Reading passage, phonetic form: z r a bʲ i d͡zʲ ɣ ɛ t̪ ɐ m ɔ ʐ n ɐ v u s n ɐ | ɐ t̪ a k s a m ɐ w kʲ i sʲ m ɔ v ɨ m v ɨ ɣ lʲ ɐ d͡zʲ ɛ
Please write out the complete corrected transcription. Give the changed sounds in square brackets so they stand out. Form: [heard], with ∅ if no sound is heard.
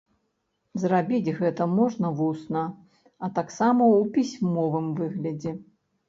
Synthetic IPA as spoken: z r a bʲ i d͡zʲ ɣ ɛ t̪ ɐ m ɔ ʐ n ɐ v u s n ɐ | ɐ t̪ a k s a m ɐ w [pʲ] i sʲ m ɔ v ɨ m v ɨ ɣ lʲ ɐ d͡zʲ ɛ